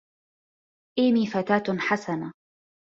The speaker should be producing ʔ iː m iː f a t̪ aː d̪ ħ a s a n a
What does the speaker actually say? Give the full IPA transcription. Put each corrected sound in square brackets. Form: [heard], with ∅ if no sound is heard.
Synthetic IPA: ʔ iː m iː f a t̪ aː [t̪] ħ a s a n a

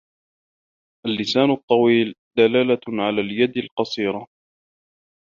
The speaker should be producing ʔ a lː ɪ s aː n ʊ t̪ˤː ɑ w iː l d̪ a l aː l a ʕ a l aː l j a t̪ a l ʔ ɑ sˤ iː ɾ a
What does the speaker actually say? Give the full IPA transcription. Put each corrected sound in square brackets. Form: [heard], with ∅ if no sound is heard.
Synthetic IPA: ʔ a lː ɪ s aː n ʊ t̪ˤː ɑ w iː l d̪ a l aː l a ʕ a l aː l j a [d̪] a l [q] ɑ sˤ iː ɾ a

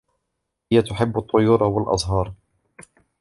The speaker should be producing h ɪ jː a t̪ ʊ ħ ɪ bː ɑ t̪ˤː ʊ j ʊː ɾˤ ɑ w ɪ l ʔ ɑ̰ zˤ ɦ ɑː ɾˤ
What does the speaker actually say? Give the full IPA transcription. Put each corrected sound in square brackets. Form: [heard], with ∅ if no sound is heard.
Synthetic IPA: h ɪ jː a t̪ ʊ ħ ɪ bː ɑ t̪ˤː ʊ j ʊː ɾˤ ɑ w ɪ l ʔ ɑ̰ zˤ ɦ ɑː ɾˤ

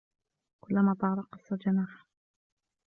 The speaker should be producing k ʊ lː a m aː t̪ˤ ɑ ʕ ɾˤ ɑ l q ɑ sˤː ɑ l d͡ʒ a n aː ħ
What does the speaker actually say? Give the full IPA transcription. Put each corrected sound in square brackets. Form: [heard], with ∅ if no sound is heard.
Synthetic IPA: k ʊ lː a m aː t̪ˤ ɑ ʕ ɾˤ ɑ [∅] q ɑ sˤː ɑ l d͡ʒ a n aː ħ

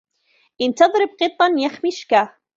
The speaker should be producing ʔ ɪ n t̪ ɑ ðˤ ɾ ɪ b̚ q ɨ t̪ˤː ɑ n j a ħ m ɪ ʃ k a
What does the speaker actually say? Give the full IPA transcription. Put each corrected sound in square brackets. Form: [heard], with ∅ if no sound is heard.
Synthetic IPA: ʔ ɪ n t̪ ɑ ðˤ ɾ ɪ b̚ q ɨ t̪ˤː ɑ n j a [x] m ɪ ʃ k a

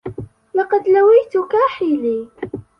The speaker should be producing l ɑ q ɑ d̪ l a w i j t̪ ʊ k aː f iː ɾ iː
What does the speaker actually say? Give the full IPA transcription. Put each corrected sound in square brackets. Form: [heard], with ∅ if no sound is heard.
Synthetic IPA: l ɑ q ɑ d̪ l a w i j t̪ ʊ k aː [ħ] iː [l] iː

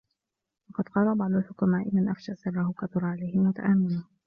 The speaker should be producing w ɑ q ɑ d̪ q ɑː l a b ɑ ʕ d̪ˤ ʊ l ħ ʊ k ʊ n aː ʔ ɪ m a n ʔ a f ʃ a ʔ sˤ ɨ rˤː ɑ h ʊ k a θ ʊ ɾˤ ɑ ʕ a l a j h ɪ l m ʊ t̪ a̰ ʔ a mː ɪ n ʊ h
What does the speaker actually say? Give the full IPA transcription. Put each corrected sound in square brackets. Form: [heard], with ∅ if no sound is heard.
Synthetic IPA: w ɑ q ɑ d̪ q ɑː l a b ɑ ʕ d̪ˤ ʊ l ħ ʊ k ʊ [m] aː ʔ ɪ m a n ʔ a f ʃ a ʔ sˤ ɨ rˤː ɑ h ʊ k a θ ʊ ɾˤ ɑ ʕ a l a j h ɪ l m ʊ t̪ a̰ ʔ a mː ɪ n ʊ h

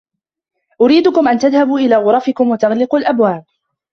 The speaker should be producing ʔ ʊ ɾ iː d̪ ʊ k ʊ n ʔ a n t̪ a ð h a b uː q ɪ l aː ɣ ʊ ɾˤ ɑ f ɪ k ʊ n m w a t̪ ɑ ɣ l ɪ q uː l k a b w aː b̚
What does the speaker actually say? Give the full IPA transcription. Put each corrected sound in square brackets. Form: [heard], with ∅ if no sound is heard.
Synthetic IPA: ʔ ʊ ɾ iː d̪ ʊ k ʊ [m] ʔ a n t̪ a ð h a b uː [ʔ] ɪ l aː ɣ ʊ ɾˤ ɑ f ɪ k ʊ [∅] m w a t̪ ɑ ɣ l ɪ q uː l [ʔ] a b w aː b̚

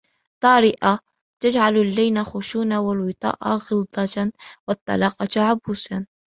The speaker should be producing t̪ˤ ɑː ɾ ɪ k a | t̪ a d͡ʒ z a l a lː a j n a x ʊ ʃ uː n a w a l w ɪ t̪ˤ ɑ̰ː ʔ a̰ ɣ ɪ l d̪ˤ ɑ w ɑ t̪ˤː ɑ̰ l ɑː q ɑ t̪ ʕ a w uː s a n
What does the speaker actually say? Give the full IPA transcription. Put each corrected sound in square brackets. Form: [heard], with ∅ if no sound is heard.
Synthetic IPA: t̪ˤ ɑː ɾ ɪ [ʔ] a | t̪ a d͡ʒ [ʕ] a l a lː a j n a x ʊ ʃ uː n a w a l w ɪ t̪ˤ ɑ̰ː ʔ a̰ ɣ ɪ l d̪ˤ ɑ w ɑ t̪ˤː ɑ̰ l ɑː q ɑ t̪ ʕ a [b] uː s a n

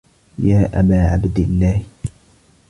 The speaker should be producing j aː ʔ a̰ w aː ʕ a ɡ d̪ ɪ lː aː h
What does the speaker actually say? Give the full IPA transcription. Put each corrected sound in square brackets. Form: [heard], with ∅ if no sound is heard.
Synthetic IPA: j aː ʔ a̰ [b] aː ʕ a [b] d̪ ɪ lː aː h

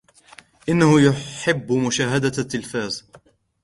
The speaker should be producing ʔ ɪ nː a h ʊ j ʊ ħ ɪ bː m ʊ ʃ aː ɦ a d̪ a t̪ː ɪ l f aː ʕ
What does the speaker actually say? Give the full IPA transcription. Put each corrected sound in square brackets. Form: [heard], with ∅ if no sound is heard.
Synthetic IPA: ʔ ɪ nː a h ʊ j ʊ ħ ɪ bː m ʊ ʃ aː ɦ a d̪ a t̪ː ɪ l f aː [z]

